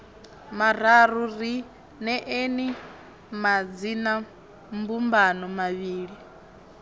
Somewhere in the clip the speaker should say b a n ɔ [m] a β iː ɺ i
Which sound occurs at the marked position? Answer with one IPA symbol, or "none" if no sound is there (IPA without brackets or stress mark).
m